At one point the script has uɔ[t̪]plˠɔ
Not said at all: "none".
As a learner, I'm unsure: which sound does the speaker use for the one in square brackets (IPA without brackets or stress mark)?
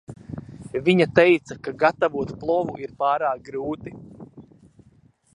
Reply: t̪